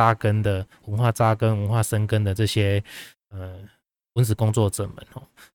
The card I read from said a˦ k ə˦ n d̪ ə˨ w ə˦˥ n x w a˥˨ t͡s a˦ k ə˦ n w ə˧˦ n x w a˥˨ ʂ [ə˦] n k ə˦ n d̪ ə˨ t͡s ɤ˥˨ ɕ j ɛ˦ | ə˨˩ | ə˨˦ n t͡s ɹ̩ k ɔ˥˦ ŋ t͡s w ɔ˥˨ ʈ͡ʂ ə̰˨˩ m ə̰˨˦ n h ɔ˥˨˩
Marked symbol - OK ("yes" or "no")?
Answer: yes